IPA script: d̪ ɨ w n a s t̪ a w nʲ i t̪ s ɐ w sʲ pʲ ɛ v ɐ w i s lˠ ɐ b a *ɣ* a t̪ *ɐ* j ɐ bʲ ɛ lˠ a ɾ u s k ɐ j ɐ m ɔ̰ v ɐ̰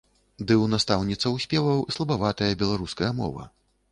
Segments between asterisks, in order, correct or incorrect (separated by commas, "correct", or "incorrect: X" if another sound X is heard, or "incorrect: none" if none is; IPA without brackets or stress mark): incorrect: v, correct